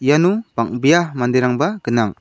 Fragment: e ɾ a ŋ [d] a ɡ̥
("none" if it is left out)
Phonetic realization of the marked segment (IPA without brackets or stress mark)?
b